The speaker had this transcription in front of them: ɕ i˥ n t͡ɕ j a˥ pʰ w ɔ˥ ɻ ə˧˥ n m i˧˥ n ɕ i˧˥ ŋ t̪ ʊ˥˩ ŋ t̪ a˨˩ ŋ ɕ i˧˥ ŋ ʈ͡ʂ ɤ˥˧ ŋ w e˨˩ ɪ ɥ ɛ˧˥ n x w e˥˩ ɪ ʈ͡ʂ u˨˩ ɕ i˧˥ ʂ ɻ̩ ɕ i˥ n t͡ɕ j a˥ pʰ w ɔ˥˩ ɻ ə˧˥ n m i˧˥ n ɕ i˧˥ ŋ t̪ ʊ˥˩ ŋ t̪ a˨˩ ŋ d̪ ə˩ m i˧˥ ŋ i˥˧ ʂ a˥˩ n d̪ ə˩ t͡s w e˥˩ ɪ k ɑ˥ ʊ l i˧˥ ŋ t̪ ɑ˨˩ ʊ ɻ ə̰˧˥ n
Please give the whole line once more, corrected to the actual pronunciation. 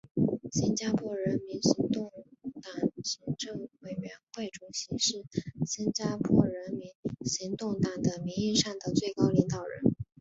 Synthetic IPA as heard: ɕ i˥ n t͡ɕ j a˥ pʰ w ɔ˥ ɻ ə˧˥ n m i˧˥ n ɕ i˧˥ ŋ t̪ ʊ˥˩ ŋ t̪ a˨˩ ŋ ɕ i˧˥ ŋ ʈ͡ʂ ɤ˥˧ ŋ w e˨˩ ɪ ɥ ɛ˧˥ n x w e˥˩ ɪ ʈ͡ʂ u˨˩ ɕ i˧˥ ʂ ɻ̩ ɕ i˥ n t͡ɕ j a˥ pʰ w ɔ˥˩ ɻ ə˧˥ n m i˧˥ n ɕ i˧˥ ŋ t̪ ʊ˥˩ ŋ t̪ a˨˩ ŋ d̪ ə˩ m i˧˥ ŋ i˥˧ ʂ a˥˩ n d̪ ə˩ t͡s w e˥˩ ɪ k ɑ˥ ʊ l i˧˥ ŋ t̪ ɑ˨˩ ʊ ɻ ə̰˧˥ n

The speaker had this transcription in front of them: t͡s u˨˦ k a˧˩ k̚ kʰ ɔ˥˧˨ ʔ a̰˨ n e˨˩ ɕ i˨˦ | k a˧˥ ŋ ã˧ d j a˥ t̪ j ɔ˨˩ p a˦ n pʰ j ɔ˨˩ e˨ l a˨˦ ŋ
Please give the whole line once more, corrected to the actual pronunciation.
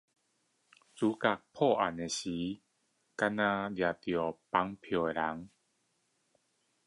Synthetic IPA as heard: t͡s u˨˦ k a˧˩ k̚ pʰ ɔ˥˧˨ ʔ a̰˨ n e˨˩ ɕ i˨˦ | k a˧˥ n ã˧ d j a˨ t̪ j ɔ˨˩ p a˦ ŋ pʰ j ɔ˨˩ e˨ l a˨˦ ŋ

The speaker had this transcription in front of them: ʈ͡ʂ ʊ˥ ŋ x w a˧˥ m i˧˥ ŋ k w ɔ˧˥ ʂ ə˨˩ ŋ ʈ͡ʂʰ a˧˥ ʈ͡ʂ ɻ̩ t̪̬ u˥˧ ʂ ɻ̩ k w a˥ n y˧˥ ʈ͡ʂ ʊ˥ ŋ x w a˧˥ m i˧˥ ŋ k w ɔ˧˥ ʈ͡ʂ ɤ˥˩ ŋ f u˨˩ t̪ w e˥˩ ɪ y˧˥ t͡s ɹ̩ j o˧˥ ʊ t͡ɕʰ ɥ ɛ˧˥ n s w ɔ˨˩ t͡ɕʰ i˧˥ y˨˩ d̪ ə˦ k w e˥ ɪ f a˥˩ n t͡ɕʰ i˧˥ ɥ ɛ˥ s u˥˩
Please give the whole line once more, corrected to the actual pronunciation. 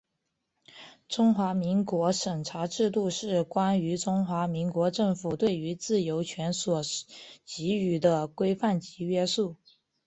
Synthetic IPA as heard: ʈ͡ʂ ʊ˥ ŋ x w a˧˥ m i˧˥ ŋ k w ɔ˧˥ ʂ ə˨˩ ŋ ʈ͡ʂʰ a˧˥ ʈ͡ʂ ɻ̩ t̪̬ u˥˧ ʂ ɻ̩ k w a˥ n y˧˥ ʈ͡ʂ ʊ˥ ŋ x w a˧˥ m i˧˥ ŋ k w ɔ˧˥ ʈ͡ʂ ɤ˥˩ ŋ f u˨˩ t̪ w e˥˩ ɪ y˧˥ t͡s ɹ̩ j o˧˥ ʊ t͡ɕʰ ɥ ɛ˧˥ n s w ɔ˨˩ t͡ɕ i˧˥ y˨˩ d̪ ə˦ k w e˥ ɪ f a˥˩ n t͡ɕ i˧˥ ɥ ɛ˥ s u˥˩

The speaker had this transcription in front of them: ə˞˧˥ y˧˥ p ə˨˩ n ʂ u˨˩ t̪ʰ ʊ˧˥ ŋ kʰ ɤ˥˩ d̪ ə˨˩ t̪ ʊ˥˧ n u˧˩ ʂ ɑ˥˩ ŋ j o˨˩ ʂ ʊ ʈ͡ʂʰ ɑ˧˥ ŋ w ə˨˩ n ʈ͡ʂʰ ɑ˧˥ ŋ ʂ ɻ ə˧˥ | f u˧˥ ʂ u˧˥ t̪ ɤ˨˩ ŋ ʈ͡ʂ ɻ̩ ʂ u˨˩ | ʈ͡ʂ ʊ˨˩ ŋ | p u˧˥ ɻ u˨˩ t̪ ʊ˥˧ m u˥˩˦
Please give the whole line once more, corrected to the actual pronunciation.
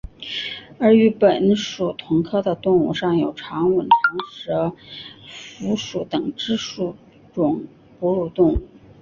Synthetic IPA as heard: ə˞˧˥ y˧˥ p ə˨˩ n ʂ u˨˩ t̪ʰ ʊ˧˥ ŋ kʰ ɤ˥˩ d̪ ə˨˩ t̪ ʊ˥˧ ŋ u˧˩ ʂ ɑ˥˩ ŋ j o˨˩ ʊ ʈ͡ʂʰ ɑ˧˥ ŋ w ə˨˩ n ʈ͡ʂʰ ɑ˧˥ ŋ ʂ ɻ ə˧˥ | f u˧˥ ʂ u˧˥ t̪ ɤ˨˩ ŋ ʈ͡ʂ ɻ̩ ʂ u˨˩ | ʈ͡ʂ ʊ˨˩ ŋ | p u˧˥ ɻ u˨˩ t̪ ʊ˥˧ ŋ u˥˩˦

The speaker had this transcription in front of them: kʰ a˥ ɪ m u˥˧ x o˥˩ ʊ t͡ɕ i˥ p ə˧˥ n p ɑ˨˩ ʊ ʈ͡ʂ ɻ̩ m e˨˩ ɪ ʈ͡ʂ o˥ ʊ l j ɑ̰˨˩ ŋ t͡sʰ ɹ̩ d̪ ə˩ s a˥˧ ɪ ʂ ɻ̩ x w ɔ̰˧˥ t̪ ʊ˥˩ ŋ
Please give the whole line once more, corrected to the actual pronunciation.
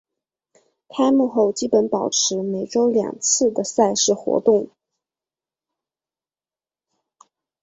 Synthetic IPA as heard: kʰ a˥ ɪ m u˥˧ x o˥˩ ʊ t͡ɕ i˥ p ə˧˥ n p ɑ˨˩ ʊ ʈ͡ʂʰ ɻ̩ m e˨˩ ɪ ʈ͡ʂ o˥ ʊ l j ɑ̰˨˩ ŋ t͡sʰ ɹ̩ d̪ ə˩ s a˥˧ ɪ ʂ ɻ̩ x w ɔ̰˧˥ t̪ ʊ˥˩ ŋ

